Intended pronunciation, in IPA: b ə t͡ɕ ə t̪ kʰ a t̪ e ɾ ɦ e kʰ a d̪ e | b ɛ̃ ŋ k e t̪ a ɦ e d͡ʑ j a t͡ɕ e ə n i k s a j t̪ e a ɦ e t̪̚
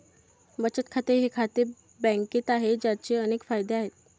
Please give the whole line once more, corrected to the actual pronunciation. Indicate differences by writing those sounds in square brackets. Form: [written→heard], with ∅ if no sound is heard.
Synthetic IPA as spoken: b ə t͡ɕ ə t̪ kʰ a t̪ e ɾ ɦ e kʰ a [d̪→t̪] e | b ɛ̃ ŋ k e t̪ a ɦ e d͡ʑ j a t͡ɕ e ə n [i→e] k [s→f] a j [t̪→d̪] e a ɦ e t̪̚